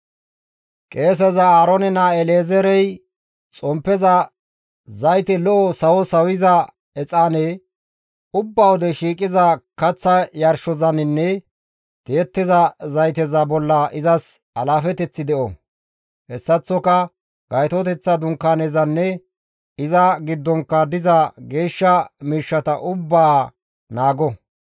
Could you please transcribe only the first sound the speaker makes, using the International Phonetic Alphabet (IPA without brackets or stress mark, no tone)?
kʼ